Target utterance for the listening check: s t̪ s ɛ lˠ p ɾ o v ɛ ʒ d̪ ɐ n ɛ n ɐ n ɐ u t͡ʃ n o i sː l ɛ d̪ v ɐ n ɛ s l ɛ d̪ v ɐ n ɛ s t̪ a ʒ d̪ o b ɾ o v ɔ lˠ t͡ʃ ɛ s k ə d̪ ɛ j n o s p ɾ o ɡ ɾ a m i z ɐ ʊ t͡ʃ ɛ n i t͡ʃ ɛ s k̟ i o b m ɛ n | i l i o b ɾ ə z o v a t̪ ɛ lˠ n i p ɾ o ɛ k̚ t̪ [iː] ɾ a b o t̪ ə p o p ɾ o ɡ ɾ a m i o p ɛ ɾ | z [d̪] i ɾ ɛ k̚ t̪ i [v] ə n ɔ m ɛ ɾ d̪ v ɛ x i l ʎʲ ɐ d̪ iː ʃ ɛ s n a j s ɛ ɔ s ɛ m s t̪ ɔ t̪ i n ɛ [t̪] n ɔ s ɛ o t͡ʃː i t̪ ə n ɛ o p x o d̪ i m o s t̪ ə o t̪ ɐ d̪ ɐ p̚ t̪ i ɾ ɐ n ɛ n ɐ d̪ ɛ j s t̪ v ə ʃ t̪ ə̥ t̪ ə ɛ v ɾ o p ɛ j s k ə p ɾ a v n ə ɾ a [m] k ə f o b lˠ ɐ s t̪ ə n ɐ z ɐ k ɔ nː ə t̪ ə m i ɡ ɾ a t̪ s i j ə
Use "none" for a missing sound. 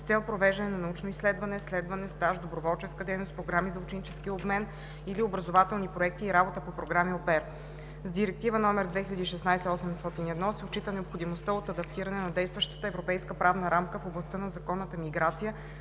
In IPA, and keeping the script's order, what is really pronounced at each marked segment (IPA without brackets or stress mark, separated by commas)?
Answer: iː, d̪, v, d̪, m